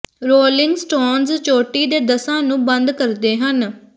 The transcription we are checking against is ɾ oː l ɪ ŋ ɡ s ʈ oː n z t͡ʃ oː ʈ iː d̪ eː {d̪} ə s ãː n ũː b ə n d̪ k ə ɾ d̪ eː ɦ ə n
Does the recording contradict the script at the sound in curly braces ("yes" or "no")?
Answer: no